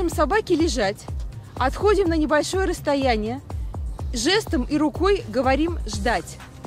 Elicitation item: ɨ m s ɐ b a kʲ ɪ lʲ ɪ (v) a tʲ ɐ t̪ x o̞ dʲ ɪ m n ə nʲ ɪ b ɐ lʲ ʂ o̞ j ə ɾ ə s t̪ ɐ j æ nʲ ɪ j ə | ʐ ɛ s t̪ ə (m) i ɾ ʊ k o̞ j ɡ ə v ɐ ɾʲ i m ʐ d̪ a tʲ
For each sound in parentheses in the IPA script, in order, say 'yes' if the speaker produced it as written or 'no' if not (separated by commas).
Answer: no, yes